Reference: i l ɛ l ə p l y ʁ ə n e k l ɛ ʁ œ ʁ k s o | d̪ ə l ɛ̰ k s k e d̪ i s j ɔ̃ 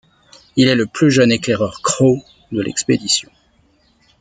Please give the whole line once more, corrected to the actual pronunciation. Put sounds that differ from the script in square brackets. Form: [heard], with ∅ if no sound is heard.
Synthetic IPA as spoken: i l ɛ l ə p l y [ʒ] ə n e k l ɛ ʁ œ ʁ k [χ] o | d̪ ə l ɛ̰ k s [p] e d̪ i s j ɔ̃